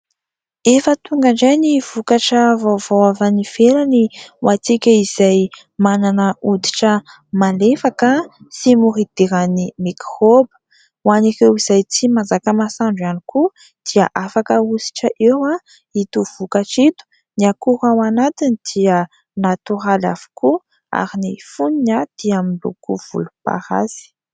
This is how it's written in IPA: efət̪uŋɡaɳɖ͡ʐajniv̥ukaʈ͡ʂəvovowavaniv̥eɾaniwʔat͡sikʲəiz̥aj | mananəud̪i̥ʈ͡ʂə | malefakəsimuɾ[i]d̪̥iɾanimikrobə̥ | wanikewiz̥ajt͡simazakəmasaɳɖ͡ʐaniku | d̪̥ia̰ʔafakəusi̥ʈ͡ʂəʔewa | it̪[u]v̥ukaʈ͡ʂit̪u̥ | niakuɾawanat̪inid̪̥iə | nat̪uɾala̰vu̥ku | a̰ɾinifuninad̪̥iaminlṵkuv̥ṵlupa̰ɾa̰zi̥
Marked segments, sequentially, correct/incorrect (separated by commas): correct, correct